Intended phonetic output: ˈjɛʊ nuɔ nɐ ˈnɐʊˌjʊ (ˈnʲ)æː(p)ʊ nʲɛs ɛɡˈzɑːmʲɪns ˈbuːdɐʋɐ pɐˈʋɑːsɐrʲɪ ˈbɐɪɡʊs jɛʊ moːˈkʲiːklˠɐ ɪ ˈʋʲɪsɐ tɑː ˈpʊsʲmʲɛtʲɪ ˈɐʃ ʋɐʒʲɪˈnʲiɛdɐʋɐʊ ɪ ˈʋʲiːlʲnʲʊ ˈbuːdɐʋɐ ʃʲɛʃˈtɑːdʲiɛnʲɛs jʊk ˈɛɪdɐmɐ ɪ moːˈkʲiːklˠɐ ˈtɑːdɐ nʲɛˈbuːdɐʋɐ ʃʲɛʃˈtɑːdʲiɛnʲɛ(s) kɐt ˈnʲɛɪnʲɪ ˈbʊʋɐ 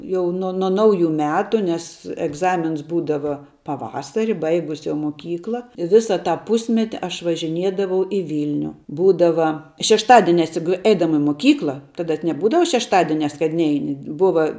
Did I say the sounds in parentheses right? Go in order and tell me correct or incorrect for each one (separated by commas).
incorrect, incorrect, correct